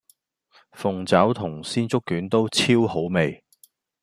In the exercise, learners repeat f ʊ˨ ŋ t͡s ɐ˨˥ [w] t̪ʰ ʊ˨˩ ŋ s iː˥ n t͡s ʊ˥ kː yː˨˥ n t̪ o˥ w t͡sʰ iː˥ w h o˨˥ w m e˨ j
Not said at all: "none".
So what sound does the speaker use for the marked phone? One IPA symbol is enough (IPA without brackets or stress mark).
w